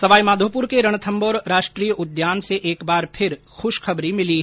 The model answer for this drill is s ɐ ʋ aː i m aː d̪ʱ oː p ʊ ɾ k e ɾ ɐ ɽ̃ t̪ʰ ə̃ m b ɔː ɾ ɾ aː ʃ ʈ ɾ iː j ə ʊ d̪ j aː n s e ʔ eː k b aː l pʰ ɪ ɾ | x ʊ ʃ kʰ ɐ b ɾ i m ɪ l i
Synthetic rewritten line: s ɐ ʋ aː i m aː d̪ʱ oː p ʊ ɾ k e ɾ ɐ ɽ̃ t̪ʰ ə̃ m b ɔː ɾ ɾ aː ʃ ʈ ɾ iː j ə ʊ d̪ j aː n s e ʔ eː k b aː ɾ pʰ ɪ ɾ | x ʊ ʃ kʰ ɐ b ɾ i m ɪ l i